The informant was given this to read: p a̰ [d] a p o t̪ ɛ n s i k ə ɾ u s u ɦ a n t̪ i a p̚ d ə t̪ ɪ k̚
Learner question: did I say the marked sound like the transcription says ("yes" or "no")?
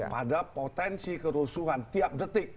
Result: yes